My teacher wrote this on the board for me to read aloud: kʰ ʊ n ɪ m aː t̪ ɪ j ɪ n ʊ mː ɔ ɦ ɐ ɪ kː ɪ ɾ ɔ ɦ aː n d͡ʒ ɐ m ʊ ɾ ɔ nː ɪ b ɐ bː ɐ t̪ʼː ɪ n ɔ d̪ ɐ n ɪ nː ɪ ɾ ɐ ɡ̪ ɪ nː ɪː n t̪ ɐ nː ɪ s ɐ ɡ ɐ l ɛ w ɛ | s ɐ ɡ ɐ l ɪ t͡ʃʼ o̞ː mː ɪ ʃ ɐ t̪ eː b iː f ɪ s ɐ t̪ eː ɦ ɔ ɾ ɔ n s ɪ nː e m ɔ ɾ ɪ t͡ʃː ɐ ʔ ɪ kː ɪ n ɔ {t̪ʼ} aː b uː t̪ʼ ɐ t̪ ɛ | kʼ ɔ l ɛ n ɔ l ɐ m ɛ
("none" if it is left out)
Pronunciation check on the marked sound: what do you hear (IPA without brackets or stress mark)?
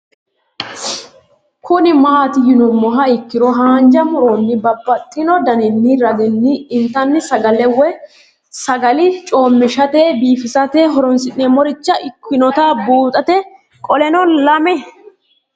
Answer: t̪